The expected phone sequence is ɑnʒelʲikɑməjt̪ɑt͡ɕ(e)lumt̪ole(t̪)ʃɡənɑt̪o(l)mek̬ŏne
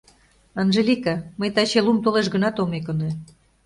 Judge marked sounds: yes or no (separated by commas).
yes, no, no